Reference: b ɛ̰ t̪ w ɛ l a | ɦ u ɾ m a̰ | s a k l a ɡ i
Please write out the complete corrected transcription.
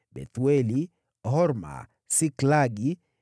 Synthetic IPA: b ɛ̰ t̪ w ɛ l i | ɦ ɔ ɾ m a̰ | s i k l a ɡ i